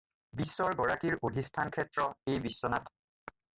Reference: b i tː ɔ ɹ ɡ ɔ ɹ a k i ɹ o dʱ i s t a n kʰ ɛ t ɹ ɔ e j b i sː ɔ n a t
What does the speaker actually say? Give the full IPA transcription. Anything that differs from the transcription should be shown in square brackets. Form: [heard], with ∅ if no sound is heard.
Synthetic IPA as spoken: b i [sː] ɔ ɹ ɡ ɔ ɹ a k i ɹ o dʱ i s [tʰ] a n kʰ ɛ t ɹ ɔ e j b i sː ɔ n a t